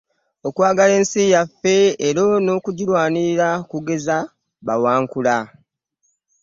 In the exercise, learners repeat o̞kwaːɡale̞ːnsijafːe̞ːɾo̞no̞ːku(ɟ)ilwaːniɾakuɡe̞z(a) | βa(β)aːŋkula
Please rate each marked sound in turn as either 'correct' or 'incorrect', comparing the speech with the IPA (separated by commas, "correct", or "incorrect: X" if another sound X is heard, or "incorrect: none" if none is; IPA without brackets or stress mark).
correct, correct, incorrect: w